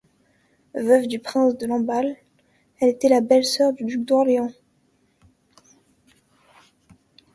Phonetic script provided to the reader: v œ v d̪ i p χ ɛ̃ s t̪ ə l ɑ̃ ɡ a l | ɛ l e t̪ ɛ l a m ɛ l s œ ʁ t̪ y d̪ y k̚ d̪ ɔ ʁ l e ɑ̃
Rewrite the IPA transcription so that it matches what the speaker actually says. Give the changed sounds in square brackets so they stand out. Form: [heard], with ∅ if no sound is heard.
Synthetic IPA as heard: v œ v d̪ [y] p χ ɛ̃ s [d̪] ə l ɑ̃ [b] a l | ɛ l e t̪ ɛ l a [b] ɛ l s œ ʁ [d̪] y d̪ y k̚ d̪ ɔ ʁ l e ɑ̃